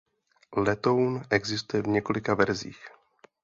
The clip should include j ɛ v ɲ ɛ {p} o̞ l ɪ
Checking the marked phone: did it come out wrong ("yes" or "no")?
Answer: yes